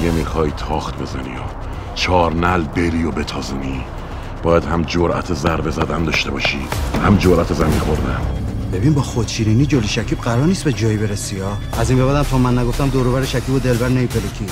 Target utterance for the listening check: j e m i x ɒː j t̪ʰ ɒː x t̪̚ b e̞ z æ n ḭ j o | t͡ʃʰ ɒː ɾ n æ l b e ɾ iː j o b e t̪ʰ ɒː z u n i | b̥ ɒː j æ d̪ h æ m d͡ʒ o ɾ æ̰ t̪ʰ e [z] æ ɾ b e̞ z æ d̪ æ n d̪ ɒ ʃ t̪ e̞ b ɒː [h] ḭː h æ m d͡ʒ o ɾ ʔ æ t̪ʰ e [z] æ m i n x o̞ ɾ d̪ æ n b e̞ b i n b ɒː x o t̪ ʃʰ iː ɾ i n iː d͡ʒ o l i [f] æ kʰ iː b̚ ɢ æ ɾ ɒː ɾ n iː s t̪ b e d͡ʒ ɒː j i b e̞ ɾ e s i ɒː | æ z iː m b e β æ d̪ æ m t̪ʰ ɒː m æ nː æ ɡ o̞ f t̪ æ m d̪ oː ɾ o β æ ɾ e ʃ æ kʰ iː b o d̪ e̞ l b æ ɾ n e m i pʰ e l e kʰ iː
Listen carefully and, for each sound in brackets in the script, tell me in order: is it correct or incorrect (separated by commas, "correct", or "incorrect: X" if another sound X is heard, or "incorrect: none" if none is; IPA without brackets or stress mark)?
correct, incorrect: ʃ, correct, incorrect: ʃ